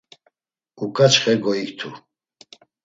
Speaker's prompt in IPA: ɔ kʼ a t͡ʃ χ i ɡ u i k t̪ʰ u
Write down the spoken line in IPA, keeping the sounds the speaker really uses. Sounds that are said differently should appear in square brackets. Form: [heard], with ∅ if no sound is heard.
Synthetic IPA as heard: [u] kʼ a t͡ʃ χ [ɛ] ɡ [ɔ] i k t̪ʰ u